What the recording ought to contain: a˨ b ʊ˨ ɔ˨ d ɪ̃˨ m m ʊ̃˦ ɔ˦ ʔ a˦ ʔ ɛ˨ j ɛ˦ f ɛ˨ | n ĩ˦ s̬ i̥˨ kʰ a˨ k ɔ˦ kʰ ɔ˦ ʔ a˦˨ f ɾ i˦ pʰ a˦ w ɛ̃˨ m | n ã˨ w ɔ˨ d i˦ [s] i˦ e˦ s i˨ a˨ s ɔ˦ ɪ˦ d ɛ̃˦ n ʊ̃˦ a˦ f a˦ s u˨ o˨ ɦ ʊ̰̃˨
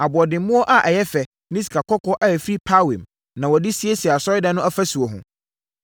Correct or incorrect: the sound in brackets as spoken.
correct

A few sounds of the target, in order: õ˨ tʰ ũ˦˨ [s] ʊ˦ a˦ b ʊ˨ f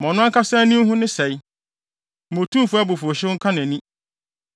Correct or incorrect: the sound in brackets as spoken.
incorrect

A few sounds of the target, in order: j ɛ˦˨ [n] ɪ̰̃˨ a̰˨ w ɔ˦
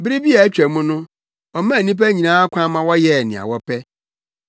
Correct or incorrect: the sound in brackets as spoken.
correct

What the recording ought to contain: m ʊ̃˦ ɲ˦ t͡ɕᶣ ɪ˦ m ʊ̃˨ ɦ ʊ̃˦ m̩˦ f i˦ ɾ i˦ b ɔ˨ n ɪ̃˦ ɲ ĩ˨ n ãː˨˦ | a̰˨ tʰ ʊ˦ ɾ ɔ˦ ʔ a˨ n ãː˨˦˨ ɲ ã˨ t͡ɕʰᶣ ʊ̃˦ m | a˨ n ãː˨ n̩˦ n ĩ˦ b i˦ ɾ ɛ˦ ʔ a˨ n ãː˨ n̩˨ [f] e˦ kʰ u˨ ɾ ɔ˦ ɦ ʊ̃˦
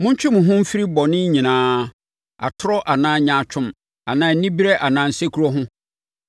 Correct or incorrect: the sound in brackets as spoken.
incorrect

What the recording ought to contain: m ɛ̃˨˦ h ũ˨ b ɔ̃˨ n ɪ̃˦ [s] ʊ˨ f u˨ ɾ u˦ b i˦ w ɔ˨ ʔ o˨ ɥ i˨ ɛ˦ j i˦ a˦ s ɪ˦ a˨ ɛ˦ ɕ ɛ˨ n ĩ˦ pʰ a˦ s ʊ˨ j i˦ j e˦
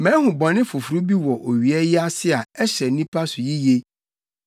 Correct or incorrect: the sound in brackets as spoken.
incorrect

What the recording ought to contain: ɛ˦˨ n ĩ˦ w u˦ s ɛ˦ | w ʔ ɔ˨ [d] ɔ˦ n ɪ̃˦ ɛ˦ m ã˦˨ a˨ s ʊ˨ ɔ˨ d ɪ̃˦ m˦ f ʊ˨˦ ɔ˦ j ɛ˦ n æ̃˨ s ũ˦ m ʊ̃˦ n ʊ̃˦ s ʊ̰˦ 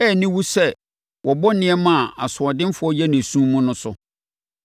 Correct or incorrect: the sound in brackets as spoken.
incorrect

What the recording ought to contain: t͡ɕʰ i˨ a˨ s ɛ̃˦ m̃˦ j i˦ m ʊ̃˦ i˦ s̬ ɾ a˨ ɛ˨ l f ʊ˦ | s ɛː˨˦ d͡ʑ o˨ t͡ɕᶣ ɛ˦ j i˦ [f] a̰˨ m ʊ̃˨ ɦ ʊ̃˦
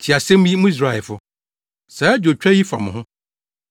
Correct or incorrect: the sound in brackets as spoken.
correct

